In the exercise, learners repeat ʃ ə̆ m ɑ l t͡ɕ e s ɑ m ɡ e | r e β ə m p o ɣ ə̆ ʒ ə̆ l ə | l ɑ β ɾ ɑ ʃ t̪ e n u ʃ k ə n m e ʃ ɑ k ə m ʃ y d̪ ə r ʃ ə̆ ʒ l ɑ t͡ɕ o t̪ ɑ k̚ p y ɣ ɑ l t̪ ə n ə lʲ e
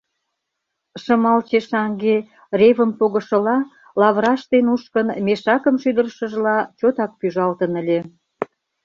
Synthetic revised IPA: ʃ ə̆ m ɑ l t͡ɕ e ʃ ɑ ŋ ɡ e | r e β ə m p o ɣ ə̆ ʃ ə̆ l ɑ | l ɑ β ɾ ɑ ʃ t̪ e n u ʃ k ə n m e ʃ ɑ k ə m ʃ y d̪ ə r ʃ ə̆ ʒ l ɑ t͡ɕ o t̪ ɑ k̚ p y ʒ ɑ l t̪ ə n ə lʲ e